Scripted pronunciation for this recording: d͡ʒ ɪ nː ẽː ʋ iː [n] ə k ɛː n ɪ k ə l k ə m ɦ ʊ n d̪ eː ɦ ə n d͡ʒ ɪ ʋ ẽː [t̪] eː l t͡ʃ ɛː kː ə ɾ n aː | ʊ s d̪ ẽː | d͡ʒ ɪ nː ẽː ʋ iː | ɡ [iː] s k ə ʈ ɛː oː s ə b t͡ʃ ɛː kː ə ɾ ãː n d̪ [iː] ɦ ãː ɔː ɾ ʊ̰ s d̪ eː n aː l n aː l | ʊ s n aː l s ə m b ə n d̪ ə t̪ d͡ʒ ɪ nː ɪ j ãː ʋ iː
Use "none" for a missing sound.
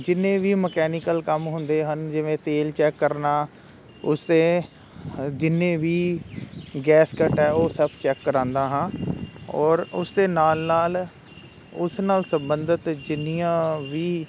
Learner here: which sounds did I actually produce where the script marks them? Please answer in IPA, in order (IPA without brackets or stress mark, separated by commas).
m, t̪, ɛː, aː